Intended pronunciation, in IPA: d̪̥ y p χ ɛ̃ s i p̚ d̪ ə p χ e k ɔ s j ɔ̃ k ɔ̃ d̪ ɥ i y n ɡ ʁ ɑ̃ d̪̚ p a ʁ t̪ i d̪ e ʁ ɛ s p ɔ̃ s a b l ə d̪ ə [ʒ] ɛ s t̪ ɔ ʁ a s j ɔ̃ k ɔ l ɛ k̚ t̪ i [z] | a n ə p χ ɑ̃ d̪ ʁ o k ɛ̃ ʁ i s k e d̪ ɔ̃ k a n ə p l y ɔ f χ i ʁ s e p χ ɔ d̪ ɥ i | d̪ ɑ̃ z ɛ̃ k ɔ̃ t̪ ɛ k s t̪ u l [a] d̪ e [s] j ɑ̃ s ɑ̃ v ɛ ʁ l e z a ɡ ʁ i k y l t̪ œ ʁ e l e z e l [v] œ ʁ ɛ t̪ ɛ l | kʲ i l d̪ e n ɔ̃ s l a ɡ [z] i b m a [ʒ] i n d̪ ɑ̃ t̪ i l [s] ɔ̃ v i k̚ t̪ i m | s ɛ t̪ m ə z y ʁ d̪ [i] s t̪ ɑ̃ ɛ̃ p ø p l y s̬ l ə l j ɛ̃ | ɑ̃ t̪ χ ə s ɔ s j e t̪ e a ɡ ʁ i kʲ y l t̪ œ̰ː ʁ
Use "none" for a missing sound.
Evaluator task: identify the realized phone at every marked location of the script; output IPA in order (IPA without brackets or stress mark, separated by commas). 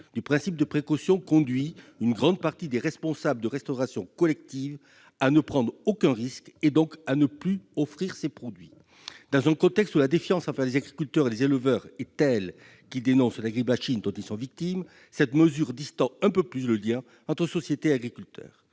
ʁ, v, a, f, v, ʁ, ʃ, s, i